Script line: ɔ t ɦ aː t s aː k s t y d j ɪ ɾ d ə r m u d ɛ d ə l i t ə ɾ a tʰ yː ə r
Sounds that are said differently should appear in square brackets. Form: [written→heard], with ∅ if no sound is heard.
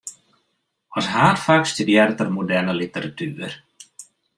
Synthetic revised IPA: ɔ [t→s] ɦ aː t [s→f] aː k s t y d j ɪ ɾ [d→t] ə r m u d ɛ [d→n] ə l i t ə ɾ a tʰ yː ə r